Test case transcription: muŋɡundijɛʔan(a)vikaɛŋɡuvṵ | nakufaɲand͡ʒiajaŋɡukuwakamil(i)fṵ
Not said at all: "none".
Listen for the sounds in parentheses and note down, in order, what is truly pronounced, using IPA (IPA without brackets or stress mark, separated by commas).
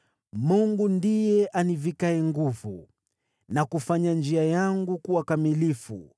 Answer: i, i